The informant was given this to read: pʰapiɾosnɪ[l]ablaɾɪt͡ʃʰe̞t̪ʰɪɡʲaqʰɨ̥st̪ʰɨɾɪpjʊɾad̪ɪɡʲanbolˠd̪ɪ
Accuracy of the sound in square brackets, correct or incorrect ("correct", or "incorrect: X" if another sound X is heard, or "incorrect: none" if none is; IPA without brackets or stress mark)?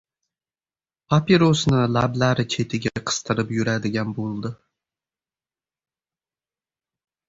correct